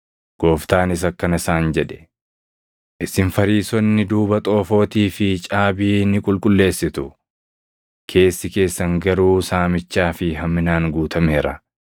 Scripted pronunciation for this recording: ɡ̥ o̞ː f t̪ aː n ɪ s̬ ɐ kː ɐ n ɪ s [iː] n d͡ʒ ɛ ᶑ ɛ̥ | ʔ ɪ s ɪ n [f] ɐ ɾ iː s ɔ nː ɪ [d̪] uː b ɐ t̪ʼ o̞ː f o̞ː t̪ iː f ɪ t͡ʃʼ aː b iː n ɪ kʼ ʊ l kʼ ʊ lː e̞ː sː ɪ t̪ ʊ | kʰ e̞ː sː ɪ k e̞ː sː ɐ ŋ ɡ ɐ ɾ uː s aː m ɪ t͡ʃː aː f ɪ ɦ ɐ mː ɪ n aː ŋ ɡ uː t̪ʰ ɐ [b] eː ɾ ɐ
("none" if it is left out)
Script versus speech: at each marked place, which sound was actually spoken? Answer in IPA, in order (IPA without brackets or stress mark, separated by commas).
aː, f, d̪, m